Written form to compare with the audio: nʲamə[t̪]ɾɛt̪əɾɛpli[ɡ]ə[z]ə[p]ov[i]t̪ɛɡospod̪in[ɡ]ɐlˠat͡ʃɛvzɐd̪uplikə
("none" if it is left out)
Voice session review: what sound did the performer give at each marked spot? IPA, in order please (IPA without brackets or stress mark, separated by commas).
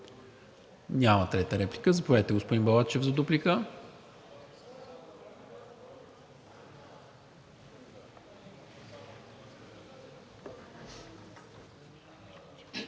t̪, k, z, p, ɛ, b